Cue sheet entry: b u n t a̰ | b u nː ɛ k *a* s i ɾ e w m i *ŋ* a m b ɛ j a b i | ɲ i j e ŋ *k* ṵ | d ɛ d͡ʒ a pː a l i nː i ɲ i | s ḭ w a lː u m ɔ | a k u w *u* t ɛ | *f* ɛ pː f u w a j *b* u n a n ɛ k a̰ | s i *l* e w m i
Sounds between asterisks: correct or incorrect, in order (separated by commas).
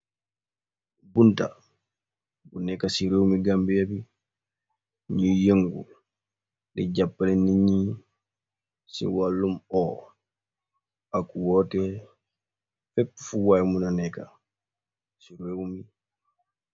correct, incorrect, incorrect, incorrect, correct, incorrect, incorrect